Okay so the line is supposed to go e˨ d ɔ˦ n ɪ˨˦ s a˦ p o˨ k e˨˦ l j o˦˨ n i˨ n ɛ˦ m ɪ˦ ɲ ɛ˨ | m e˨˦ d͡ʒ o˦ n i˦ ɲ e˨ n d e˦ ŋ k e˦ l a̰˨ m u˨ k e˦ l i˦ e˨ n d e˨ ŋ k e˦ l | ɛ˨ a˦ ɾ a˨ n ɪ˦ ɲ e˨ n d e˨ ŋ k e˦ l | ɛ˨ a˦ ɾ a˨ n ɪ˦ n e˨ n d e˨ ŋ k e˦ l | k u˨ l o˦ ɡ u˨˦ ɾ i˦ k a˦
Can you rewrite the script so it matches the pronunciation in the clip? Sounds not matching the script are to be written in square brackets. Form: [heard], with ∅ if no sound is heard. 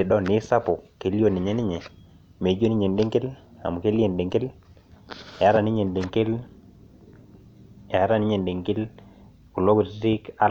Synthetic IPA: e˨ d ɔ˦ n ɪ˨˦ s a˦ p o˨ k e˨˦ l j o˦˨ n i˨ [ɲ] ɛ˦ [n] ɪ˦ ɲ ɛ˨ | m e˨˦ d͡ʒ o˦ n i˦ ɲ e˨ n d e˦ ŋ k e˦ l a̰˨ m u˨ k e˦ l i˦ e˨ n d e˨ ŋ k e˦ l | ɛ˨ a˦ ɾ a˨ n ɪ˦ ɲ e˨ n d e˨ ŋ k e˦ l | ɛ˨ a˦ ɾ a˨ n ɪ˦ [ɲ] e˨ n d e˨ ŋ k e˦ l | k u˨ l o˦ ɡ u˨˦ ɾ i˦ k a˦

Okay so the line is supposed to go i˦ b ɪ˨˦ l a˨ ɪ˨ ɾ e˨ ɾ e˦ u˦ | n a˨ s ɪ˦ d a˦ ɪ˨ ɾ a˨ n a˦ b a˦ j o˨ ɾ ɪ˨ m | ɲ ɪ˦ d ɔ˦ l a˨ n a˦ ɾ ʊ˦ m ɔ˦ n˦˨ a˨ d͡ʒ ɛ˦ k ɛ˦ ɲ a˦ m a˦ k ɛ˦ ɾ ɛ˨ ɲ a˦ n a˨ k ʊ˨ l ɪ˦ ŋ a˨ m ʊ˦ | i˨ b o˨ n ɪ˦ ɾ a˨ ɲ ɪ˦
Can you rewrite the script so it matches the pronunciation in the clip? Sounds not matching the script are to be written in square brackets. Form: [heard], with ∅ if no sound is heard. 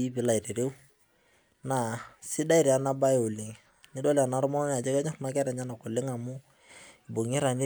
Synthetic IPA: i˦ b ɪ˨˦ l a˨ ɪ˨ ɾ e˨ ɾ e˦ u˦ | n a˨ s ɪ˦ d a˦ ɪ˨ ɾ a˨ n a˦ b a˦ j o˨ [l] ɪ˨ [ŋ] | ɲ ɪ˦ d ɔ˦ l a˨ n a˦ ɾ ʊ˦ m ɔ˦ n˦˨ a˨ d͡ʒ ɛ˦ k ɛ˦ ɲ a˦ m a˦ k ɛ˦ ɾ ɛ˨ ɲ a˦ n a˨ k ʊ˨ l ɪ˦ ŋ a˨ m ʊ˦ | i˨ b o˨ [ŋ] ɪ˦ ɾ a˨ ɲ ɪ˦

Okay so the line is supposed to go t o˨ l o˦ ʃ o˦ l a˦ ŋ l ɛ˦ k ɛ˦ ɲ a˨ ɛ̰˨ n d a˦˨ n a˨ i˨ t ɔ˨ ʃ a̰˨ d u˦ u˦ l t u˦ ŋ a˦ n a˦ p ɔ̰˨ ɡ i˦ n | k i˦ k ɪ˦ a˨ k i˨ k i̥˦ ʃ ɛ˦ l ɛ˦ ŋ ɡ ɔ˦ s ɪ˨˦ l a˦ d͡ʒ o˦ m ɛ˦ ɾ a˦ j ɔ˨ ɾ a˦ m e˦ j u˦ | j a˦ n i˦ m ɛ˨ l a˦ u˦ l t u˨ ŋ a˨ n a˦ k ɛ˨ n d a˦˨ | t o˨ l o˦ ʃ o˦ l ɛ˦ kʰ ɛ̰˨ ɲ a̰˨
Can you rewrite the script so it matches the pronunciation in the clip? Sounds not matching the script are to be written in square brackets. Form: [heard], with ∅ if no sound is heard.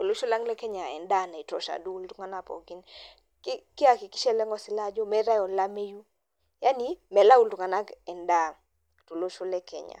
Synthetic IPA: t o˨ l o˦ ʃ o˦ l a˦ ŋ l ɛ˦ k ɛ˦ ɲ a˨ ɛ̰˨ n d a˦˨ n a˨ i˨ t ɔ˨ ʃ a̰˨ d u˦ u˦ l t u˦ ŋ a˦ n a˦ p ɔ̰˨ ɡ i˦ n | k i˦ k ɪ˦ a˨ k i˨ k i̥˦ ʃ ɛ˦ l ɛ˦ ŋ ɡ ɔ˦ s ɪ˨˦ l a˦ d͡ʒ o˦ m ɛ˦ ɾ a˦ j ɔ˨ [l] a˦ m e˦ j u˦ | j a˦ n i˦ m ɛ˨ l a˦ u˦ l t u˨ ŋ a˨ n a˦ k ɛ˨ n d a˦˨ | t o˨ l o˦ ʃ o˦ l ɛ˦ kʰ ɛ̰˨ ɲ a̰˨

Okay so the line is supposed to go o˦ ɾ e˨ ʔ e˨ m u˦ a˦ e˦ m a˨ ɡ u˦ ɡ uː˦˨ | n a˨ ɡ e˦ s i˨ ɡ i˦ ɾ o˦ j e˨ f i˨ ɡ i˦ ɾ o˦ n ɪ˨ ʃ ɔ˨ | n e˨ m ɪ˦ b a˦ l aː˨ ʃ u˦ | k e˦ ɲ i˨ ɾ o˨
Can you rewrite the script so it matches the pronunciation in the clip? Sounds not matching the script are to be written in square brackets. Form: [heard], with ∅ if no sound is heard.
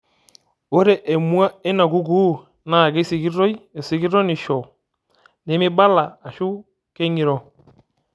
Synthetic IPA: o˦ ɾ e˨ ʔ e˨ m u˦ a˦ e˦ [n] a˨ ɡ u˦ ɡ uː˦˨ | n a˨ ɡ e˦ s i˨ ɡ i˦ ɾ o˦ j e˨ [s] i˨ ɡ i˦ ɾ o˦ n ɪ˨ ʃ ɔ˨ | n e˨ m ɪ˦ b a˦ l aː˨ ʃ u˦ | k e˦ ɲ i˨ ɾ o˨

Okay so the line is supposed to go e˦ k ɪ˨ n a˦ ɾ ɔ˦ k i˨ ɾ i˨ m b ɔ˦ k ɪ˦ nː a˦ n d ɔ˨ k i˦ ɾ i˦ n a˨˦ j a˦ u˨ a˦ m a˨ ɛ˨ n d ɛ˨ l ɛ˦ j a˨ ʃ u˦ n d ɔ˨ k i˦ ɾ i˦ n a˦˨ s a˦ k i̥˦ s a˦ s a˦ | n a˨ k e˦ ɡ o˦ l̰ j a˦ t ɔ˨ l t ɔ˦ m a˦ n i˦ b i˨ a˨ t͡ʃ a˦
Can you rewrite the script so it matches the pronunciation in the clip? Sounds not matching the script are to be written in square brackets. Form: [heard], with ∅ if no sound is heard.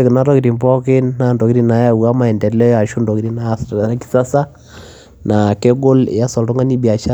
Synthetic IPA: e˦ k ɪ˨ n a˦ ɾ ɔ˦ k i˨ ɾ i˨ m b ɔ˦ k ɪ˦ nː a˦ n d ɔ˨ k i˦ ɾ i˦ n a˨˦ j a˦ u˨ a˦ m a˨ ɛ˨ n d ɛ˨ l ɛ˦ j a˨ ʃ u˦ n d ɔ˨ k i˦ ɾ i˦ n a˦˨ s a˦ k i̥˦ s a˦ s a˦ | n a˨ k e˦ ɡ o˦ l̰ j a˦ [s] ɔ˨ l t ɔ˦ [ŋ] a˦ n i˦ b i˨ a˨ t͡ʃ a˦

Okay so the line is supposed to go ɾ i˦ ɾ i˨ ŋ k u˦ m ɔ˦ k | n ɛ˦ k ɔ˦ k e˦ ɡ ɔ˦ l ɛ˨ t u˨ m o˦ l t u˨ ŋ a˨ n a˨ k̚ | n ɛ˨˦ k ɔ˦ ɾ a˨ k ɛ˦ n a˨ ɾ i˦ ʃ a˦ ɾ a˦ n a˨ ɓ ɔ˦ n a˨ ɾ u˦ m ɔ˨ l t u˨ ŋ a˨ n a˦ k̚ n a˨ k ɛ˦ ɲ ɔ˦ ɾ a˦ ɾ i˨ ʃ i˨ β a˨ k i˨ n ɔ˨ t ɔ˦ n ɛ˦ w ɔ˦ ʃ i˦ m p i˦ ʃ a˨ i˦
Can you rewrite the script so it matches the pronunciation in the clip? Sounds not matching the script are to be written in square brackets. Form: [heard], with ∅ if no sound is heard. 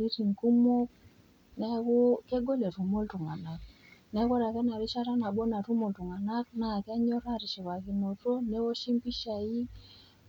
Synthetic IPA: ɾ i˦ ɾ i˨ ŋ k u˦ m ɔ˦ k | n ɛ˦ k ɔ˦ k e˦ ɡ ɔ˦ l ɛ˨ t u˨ m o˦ l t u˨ ŋ a˨ n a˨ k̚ | n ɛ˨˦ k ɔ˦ ɾ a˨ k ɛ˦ n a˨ ɾ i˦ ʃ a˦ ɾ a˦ n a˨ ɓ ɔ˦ n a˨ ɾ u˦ m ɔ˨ l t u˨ ŋ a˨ n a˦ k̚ n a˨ k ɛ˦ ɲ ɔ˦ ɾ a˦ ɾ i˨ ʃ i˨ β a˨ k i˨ n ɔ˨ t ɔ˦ n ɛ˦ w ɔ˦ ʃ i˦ m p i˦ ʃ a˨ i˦

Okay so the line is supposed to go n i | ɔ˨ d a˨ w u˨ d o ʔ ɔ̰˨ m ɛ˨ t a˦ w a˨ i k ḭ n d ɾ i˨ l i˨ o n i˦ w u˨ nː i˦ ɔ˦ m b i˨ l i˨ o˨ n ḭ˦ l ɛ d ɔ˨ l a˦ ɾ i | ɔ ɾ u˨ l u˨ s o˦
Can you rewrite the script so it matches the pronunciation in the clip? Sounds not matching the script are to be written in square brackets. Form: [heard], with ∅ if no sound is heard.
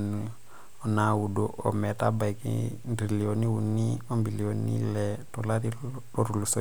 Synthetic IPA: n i | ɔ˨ [n] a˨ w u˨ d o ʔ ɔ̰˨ m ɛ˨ t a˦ [b] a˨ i k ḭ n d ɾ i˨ l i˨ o n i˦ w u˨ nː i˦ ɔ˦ m b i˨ l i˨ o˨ n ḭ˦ l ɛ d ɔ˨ l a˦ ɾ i | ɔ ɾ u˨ l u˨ s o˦

